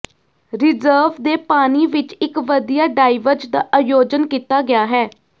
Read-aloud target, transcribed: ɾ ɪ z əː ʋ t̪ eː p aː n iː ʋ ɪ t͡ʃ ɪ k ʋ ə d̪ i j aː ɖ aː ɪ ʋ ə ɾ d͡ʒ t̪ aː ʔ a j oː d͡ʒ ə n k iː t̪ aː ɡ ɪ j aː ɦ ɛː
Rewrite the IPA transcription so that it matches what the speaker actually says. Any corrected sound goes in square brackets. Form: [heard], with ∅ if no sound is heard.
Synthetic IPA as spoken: ɾ ɪ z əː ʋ [d̪] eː p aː n iː ʋ ɪ t͡ʃ ɪ k ʋ ə d̪ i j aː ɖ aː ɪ ʋ ə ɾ d͡ʒ [d̪] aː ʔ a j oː d͡ʒ ə n k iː t̪ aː ɡ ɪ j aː ɦ ɛː